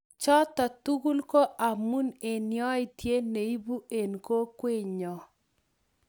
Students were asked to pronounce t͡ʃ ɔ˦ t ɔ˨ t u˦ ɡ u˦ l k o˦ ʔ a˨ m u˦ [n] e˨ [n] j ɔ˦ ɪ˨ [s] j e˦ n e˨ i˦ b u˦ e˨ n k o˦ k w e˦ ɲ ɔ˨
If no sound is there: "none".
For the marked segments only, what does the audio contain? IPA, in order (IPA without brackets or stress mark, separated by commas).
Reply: n, n, t